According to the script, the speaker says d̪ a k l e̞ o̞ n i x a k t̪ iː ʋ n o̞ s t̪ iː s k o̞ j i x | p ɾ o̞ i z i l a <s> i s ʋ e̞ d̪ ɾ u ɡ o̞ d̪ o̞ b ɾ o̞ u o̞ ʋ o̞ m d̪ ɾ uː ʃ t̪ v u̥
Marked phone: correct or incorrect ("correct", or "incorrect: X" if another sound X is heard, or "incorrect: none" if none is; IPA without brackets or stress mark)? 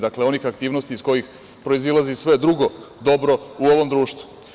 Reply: incorrect: z